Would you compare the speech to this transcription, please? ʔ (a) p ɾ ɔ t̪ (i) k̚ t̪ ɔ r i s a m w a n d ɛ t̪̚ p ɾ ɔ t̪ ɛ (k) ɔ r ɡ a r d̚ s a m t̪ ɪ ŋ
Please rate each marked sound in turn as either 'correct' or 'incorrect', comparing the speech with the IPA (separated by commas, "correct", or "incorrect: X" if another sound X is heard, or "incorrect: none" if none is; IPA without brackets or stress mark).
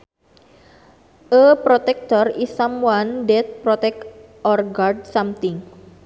incorrect: ə, incorrect: ɛ, correct